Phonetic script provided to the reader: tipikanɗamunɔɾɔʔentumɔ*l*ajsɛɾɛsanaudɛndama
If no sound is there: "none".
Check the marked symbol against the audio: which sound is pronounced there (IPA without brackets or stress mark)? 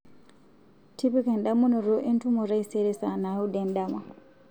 ɾ